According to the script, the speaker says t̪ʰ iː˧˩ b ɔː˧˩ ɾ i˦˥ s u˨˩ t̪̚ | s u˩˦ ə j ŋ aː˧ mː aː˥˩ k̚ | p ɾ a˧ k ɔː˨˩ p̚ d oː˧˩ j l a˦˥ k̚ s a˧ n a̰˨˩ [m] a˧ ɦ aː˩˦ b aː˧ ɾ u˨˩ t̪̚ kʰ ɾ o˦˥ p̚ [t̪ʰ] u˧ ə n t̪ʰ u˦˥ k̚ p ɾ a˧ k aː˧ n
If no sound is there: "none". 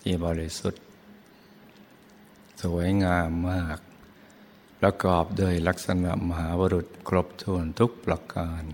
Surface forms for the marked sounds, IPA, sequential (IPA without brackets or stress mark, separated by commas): m, t̪ʰ